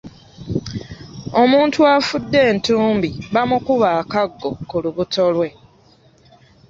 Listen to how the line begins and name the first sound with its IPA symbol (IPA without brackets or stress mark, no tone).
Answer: o̞